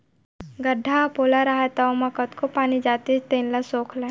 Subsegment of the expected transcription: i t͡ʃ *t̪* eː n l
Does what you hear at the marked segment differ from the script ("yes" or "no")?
no